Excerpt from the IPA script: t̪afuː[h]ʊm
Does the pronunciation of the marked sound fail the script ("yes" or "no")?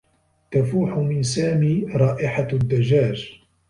yes